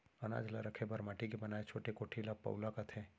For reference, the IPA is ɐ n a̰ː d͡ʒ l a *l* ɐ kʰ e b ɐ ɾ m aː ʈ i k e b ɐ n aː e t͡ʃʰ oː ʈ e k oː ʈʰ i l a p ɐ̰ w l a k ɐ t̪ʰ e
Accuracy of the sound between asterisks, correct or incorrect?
incorrect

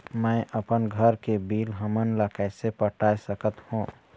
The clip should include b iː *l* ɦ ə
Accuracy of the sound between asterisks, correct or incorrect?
correct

